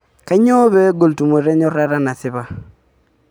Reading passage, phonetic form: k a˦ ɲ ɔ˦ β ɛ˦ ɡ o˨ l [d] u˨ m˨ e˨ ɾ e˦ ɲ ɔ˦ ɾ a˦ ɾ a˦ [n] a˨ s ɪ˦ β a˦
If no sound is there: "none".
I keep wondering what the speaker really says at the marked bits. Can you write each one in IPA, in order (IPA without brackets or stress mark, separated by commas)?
t, n